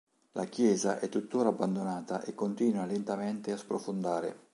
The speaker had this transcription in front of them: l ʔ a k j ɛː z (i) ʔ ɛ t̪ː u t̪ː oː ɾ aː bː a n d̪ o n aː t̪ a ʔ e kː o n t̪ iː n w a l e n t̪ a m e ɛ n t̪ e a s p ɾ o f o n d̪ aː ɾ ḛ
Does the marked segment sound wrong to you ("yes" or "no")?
yes